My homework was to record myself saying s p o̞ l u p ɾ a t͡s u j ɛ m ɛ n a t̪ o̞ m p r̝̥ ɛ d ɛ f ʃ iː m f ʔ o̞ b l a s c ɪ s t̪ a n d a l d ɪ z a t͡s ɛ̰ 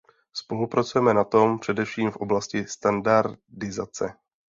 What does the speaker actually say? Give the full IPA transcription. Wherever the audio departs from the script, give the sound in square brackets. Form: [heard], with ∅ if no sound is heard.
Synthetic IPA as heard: s p o̞ l u p ɾ a t͡s u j ɛ m ɛ n a t̪ o̞ m p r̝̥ ɛ d ɛ f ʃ iː m f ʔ o̞ b l a s c ɪ s t̪ a n d a [ɾ] d ɪ z a t͡s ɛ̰